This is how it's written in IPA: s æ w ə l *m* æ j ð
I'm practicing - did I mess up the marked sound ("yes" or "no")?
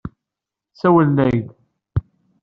yes